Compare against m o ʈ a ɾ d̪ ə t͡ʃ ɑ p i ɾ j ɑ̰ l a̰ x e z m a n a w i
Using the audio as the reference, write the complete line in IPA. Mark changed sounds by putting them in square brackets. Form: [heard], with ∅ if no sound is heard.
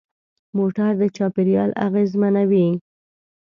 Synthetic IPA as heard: m o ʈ a ɾ d̪ ə t͡ʃ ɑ p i ɾ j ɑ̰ l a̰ [ɣ] e z m a n a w i